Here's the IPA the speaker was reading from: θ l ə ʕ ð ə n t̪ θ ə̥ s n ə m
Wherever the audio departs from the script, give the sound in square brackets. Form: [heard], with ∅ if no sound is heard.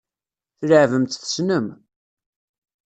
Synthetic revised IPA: θ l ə ʕ [v] ə [m] t̪ θ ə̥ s n ə m